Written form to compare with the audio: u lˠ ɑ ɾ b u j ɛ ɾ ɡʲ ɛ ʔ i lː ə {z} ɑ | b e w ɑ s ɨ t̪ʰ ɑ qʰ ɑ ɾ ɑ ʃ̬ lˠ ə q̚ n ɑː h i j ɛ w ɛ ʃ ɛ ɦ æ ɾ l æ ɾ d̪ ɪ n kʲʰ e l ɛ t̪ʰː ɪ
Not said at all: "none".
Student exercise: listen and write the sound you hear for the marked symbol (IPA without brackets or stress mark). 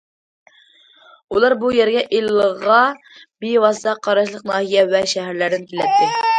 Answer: ʁ